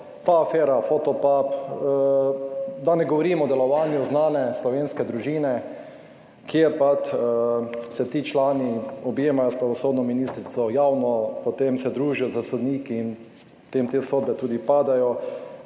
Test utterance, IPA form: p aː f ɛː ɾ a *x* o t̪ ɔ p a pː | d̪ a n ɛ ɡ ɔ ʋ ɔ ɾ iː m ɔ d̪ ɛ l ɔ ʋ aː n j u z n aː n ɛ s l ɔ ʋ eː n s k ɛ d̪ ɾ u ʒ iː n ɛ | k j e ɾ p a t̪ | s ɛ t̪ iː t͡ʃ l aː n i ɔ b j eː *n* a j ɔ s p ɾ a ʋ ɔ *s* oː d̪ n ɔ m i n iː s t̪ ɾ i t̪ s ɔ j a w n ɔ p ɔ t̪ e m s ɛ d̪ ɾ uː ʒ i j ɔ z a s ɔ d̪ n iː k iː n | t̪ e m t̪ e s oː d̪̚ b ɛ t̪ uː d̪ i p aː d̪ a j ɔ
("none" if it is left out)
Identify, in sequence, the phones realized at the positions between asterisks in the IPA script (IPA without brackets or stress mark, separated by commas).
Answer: f, m, s